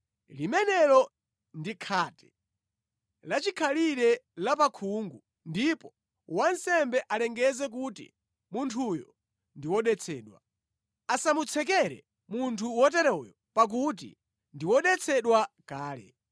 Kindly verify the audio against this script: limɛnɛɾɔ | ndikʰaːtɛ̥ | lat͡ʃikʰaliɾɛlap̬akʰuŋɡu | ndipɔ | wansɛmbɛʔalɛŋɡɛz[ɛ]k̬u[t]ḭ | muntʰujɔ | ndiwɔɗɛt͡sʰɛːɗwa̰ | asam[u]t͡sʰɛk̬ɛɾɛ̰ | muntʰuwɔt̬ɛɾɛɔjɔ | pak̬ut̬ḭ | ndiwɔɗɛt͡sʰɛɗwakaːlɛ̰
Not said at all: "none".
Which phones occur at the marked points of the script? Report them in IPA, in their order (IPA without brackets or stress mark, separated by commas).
ɛ, t, u